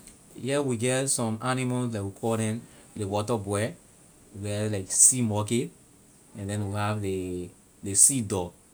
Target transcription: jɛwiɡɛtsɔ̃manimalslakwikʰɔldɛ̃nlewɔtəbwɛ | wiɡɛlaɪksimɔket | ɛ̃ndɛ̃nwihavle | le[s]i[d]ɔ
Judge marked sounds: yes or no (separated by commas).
yes, yes